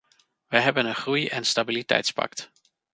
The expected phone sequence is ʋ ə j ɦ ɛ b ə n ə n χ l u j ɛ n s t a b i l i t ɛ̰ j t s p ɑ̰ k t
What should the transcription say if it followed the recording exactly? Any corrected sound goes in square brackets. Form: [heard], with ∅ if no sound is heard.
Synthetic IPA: ʋ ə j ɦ ɛ b ə n ə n χ [r] u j ɛ n s t a b i l i t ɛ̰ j t s p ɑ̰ k t